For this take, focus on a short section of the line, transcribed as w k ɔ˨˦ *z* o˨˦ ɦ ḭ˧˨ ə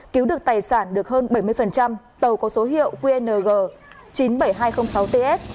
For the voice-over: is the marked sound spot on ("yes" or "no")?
no